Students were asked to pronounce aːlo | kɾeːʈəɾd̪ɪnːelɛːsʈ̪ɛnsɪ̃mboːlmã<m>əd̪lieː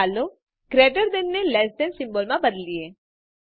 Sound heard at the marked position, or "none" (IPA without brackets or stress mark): b